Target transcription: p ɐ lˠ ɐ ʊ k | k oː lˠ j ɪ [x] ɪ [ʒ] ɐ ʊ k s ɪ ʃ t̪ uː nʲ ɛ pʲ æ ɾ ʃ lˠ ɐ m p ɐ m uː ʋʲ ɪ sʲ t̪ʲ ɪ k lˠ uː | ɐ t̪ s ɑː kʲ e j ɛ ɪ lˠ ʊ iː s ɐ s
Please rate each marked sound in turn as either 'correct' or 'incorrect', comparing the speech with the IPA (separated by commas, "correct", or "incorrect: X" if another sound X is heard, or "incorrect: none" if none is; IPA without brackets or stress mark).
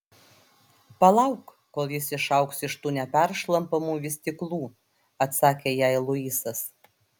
incorrect: s, incorrect: ʃ